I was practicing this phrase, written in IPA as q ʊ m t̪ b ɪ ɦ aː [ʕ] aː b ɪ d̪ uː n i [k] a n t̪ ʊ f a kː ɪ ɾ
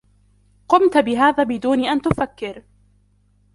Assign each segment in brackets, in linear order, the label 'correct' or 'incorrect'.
incorrect, incorrect

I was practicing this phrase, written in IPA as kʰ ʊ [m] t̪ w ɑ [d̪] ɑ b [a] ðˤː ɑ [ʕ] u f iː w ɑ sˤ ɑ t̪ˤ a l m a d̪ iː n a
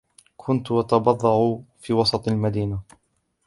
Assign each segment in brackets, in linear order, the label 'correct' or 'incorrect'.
incorrect, incorrect, incorrect, correct

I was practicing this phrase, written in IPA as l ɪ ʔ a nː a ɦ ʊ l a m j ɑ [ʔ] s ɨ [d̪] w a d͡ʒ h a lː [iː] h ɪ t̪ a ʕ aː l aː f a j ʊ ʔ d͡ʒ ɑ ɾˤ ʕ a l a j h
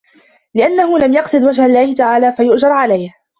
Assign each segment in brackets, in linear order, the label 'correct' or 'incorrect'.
incorrect, correct, incorrect

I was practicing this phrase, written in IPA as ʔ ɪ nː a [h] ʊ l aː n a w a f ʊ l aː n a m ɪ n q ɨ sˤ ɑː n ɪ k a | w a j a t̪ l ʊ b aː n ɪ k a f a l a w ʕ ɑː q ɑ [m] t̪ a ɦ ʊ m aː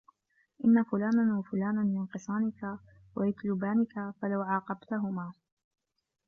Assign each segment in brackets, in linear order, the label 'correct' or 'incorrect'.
incorrect, incorrect

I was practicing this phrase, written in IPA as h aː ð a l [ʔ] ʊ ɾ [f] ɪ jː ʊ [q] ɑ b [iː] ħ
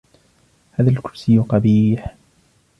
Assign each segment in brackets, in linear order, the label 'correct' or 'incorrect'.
incorrect, incorrect, correct, correct

